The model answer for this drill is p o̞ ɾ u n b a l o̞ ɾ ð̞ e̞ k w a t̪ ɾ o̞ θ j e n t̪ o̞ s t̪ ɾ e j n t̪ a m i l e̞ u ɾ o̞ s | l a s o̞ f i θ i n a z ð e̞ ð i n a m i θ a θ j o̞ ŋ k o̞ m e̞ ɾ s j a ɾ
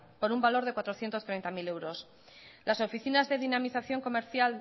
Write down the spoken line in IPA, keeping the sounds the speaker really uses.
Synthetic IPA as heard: p o̞ ɾ u m b a l o̞ ɾ ð̞ e̞ k w a t̪ ɾ o̞ θ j e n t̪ o̞ s t̪ ɾ e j n t̪ a m i l e̞ w ɾ o̞ s | l a s o̞ f i θ i n a z ð e̞ ð i n a m i θ a θ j o̞ ŋ k o̞ m e̞ ɾ θ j a l

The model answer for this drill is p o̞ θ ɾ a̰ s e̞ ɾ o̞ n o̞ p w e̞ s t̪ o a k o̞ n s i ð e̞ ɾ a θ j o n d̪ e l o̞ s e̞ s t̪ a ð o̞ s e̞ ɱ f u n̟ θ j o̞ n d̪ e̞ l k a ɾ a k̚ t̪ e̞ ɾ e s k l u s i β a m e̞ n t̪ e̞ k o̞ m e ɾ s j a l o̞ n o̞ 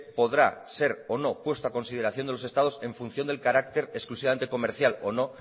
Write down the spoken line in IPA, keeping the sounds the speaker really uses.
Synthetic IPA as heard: p o̞ ð ɾ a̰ s e̞ ɾ o̞ n o̞ p w e̞ s t̪ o a k o̞ n s i ð e̞ ɾ a θ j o n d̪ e l o̞ s e̞ s t̪ a ð o̞ s e̞ ɱ f u n̟ θ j o̞ n d̪ e̞ l k a ɾ a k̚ t̪ e̞ ɾ e s k l u s i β a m e̞ n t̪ e̞ k o̞ m e ɾ θ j a l o̞ n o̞

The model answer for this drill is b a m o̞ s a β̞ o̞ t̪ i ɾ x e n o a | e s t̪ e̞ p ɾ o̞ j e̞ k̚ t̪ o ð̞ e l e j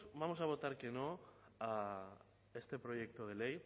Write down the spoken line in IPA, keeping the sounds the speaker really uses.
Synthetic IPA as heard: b a m o̞ s a β̞ o̞ t̪ a ɾ k e n o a | e s t̪ e̞ p ɾ o̞ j e̞ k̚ t̪ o ð̞ e l e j

